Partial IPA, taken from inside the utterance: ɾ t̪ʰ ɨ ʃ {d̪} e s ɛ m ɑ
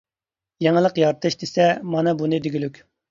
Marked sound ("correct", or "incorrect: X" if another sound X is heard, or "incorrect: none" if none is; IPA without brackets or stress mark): correct